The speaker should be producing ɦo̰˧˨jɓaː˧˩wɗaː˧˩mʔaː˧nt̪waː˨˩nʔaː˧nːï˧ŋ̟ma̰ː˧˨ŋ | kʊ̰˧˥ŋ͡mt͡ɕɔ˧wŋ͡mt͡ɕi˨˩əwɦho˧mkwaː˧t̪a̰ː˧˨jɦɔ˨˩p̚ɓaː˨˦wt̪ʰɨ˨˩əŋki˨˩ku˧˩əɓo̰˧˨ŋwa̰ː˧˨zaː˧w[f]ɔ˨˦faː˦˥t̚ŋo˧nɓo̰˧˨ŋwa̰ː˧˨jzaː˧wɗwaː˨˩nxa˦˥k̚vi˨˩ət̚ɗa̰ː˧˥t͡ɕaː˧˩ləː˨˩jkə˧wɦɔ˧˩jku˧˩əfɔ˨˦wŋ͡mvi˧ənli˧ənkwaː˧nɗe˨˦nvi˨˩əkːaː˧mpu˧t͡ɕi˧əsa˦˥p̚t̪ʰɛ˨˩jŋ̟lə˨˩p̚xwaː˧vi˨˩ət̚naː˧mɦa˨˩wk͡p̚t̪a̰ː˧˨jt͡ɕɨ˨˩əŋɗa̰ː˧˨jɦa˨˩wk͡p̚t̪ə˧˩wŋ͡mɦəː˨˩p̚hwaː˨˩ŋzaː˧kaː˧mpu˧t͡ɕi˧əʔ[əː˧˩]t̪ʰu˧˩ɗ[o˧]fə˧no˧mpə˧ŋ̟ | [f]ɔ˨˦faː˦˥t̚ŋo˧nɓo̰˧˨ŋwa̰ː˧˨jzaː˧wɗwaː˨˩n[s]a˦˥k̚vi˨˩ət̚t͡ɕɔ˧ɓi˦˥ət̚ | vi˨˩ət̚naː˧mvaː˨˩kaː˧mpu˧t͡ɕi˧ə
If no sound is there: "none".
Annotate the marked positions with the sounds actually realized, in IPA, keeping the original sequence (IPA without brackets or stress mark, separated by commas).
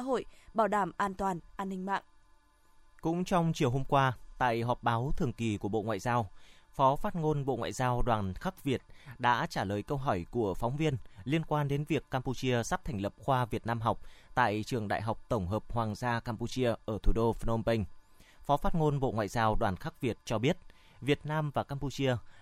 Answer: f, əː˧˩, o˧, f, x